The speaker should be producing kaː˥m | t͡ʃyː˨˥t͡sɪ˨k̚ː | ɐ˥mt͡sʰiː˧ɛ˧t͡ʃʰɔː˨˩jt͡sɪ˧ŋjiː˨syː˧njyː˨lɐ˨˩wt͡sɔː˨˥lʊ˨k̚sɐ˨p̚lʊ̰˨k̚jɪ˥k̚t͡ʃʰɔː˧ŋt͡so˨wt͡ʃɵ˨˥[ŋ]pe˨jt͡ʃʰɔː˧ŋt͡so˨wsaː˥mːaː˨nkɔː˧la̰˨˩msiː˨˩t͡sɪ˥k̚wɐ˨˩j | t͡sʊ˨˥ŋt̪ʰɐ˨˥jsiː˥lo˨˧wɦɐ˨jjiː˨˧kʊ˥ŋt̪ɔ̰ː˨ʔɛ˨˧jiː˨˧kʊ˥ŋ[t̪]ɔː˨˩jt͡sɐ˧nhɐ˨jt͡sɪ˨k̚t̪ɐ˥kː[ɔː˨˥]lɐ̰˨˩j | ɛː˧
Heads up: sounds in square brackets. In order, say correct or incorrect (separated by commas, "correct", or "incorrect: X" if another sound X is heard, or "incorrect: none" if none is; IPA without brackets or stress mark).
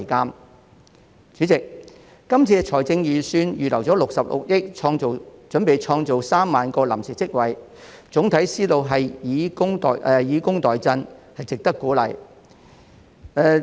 incorrect: n, correct, incorrect: uː˨˥